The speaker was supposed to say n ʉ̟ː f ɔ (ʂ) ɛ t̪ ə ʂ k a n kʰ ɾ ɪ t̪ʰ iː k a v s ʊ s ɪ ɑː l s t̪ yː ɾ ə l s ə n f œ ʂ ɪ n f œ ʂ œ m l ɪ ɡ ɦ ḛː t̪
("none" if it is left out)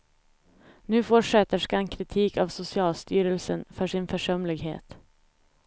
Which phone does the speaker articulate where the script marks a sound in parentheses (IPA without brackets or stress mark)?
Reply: ʂ